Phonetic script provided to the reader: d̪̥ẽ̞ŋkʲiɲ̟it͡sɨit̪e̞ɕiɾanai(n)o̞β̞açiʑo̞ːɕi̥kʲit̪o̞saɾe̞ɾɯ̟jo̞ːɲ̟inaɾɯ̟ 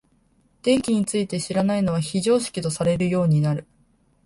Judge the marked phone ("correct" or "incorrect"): correct